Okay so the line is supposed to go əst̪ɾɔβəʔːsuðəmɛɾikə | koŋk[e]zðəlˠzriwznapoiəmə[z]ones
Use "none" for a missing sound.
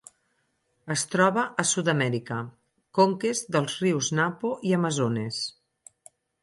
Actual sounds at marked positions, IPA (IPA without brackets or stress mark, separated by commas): e, z